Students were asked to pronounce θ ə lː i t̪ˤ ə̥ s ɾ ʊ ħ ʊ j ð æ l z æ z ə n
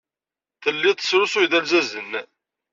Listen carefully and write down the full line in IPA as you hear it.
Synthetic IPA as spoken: θ ə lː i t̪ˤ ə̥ s ɾ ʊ s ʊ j ð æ l z æ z ə n